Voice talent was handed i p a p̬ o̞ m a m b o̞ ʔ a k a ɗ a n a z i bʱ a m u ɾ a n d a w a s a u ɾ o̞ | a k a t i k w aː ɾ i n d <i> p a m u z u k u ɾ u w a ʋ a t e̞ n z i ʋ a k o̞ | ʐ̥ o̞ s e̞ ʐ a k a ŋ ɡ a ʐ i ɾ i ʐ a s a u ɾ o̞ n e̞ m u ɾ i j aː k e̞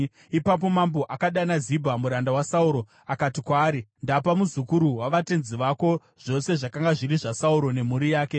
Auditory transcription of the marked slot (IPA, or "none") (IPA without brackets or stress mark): a